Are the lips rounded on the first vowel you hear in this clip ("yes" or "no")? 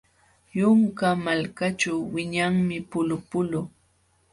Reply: yes